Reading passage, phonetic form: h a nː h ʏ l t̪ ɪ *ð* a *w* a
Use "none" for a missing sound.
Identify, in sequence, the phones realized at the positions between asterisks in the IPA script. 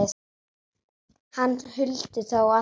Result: θ, w

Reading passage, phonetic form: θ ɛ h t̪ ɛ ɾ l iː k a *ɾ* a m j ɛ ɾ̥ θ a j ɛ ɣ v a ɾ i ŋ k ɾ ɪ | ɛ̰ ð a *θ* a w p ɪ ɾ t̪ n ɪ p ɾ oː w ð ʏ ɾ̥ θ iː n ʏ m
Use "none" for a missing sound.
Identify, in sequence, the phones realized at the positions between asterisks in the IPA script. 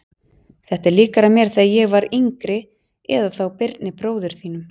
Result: ɾ, θ

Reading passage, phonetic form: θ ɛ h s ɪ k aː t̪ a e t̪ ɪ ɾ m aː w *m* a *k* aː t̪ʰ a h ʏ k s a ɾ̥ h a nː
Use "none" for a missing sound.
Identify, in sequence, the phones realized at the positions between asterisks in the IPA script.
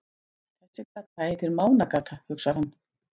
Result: n, k

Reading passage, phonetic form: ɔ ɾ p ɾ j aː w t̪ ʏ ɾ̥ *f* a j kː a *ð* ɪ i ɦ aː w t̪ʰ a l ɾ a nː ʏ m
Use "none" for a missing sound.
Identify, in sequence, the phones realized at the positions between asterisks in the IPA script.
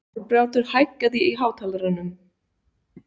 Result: h, ð

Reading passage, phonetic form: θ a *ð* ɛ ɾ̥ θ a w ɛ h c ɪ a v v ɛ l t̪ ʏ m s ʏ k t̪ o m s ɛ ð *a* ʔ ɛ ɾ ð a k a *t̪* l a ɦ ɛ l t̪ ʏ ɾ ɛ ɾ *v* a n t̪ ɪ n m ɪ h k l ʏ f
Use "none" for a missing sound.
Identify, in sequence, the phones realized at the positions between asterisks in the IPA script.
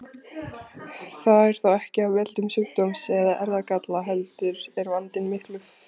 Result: ð, a, t̪, v

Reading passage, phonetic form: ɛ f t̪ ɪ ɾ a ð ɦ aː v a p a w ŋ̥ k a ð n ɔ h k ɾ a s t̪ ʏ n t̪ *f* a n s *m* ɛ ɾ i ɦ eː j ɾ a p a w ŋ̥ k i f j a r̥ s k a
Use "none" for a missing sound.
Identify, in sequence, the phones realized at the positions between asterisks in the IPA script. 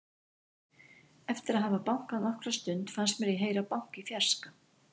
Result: f, m

